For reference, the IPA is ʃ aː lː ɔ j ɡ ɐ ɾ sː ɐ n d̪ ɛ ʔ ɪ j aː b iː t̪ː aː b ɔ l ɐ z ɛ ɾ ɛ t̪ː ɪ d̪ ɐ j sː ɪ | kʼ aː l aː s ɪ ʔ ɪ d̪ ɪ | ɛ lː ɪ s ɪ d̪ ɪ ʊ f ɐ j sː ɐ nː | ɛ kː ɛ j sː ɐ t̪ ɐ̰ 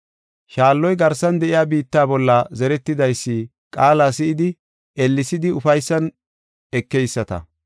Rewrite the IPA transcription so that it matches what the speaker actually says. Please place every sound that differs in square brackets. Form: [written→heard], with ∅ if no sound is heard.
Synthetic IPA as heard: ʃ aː lː ɔ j ɡ ɐ ɾ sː ɐ n d̪ ɛ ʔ ɪ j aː b iː t̪ː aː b ɔ [l→lː] ɐ z ɛ ɾ ɛ t̪ː ɪ d̪ ɐ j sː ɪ | kʼ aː l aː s ɪ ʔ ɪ d̪ ɪ | ɛ lː ɪ s ɪ d̪ ɪ ʊ f ɐ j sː ɐ [nː→n] | ɛ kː ɛ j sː ɐ t̪ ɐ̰